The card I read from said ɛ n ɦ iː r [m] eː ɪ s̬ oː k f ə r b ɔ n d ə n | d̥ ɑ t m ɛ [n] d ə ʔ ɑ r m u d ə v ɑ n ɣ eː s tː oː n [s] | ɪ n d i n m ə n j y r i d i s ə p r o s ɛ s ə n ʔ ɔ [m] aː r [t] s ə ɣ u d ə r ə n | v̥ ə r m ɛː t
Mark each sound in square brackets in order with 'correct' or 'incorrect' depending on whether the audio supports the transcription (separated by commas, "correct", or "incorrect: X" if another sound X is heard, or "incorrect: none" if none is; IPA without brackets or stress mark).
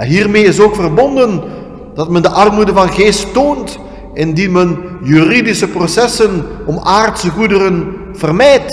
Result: correct, correct, incorrect: t, correct, correct